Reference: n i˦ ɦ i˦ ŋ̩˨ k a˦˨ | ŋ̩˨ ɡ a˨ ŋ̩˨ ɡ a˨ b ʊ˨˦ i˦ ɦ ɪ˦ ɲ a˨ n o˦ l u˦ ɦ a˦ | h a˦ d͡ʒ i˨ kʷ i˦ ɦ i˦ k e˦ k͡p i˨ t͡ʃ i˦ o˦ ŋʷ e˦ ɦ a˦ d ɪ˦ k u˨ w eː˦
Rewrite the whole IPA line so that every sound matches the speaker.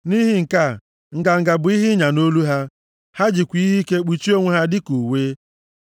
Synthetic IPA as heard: n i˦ ɦ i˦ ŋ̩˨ k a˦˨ | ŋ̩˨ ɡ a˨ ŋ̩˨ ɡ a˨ b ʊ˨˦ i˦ ɦ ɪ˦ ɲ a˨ n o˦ l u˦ ɦ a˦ | h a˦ d͡ʒ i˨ kʷ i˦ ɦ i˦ k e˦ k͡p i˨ t͡ʃ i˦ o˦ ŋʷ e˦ ɦ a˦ d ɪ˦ k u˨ w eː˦